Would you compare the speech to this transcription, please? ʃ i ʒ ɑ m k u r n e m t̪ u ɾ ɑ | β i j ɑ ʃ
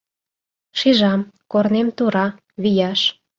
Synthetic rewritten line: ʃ i ʒ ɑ m k o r n e m t̪ u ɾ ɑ | β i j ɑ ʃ